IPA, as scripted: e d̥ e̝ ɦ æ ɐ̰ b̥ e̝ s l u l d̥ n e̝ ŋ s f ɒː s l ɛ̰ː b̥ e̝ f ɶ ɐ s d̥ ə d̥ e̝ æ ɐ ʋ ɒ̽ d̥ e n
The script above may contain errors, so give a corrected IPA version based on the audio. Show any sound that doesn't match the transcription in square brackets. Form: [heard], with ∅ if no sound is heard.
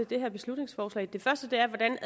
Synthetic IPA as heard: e d̥ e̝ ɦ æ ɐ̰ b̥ e̝ s l u [∅] d̥ n e̝ ŋ s f ɒː s l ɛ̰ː [d̥] e̝ f ɶ ɐ s d̥ ə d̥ e̝ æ ɐ ʋ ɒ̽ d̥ [æ] n